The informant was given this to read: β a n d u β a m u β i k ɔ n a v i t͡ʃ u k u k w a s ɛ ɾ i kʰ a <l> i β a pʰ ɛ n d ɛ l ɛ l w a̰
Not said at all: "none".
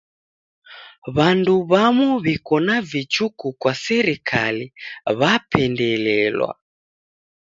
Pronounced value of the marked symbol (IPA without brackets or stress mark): l